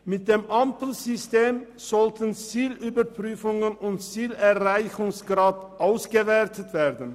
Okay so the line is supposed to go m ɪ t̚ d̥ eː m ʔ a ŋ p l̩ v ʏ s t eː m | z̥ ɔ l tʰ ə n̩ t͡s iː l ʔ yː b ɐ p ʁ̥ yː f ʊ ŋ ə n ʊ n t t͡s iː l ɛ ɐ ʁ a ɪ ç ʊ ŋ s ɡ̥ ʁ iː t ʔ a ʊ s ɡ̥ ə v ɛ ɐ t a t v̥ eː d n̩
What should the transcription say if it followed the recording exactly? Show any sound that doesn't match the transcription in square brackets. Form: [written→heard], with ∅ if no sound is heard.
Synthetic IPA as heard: m ɪ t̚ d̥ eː m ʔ a [ŋ→m] p l̩ [v→z] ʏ s t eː m | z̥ ɔ l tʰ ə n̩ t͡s iː l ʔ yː b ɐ p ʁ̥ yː f ʊ ŋ ə n ʊ n t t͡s iː l ɛ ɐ ʁ a ɪ ç ʊ ŋ s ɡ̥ ʁ [iː→aː] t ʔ a ʊ s ɡ̥ ə v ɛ ɐ t [a→ə] t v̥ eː d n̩